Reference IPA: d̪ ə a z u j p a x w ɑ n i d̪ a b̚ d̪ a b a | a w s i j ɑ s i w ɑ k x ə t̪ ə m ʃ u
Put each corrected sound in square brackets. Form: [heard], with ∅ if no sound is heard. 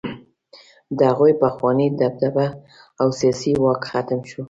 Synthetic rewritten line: d̪ ə a [ɣ] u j p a x w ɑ n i d̪ a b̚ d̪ a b a | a w s i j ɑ s i w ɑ k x [a] t̪ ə m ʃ u